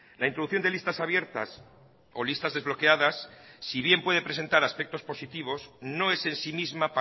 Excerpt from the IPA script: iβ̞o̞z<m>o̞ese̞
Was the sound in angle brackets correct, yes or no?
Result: no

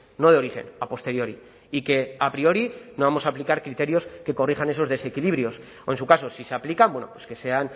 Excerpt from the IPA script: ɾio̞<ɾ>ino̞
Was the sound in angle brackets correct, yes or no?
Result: yes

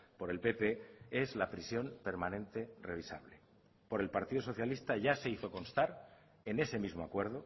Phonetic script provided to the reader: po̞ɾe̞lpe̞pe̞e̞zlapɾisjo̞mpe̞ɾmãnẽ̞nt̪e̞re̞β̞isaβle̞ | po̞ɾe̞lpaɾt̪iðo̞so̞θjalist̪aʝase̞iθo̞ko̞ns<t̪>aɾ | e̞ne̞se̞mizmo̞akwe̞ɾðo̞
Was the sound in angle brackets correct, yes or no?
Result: yes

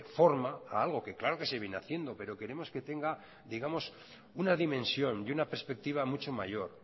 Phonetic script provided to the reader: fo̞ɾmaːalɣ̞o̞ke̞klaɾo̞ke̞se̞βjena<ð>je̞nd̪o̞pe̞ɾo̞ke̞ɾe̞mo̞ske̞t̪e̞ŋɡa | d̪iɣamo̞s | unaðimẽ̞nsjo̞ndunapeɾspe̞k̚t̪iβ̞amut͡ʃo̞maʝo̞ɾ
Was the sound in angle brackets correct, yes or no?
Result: no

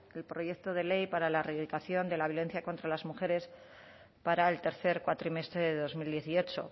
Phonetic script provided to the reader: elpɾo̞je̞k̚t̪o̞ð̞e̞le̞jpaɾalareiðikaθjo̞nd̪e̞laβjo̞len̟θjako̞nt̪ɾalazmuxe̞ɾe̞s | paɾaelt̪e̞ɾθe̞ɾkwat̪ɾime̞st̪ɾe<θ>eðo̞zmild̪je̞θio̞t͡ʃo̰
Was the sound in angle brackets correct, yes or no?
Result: no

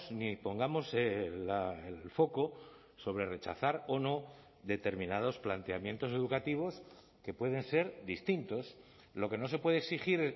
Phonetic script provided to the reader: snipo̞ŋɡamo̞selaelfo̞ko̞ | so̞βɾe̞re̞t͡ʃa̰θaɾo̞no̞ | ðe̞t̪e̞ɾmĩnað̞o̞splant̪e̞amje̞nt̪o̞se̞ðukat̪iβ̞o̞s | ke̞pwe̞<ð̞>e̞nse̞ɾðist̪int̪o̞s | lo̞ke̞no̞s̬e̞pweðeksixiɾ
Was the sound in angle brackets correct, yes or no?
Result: yes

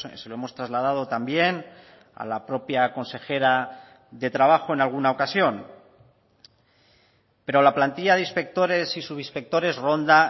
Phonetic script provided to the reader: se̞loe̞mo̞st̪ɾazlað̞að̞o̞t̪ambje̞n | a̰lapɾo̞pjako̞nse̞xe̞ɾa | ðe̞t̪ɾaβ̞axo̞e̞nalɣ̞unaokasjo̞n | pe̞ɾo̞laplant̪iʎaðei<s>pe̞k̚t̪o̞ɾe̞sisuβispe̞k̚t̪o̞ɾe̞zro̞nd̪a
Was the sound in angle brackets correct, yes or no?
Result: yes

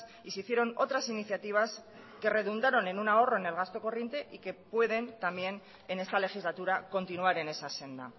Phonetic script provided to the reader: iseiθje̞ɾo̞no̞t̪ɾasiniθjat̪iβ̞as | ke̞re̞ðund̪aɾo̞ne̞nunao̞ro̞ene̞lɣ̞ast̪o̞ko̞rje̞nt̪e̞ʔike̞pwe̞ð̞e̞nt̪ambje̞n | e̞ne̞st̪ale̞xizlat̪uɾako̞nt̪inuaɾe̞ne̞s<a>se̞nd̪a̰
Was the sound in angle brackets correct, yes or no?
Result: yes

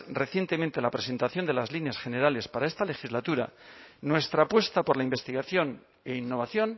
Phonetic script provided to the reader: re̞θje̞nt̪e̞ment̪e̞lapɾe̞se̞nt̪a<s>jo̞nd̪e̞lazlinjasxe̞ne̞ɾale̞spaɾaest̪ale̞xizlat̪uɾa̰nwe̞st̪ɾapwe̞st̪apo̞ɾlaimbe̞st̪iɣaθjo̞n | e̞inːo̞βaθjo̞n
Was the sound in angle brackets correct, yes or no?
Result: no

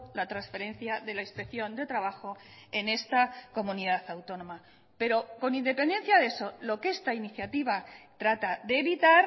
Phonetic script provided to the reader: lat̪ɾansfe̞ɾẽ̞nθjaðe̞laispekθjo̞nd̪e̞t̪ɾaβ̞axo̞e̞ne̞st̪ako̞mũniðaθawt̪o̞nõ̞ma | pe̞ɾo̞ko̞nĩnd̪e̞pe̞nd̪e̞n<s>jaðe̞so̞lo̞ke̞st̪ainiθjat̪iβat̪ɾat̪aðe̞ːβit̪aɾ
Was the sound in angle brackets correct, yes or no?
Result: no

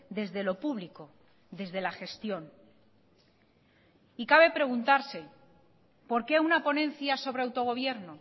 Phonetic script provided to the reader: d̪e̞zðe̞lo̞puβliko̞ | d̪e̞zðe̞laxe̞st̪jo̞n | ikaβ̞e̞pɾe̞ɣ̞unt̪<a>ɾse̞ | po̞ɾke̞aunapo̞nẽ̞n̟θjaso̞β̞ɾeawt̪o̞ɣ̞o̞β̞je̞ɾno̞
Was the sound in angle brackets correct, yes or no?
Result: yes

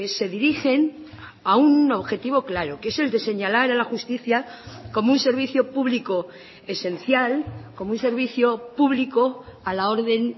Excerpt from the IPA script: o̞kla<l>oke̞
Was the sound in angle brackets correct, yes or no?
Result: no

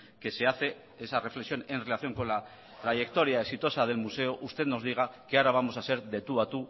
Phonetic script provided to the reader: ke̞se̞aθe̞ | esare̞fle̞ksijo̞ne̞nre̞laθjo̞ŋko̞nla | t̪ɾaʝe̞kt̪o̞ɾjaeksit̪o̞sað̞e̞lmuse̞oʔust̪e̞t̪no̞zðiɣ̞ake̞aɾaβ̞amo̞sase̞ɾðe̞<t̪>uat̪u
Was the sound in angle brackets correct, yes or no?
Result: yes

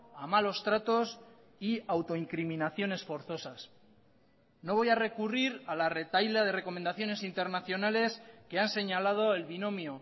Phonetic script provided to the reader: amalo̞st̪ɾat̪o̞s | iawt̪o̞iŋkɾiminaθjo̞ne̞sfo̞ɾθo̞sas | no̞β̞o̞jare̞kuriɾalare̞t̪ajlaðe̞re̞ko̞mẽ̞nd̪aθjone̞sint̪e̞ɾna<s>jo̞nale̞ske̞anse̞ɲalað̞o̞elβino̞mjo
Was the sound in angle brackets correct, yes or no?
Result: no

